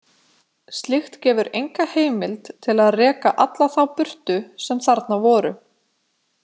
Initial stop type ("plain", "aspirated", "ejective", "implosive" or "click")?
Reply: plain